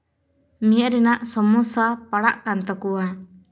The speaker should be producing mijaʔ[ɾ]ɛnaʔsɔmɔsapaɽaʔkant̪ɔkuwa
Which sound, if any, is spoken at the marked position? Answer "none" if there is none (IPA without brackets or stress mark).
ɾ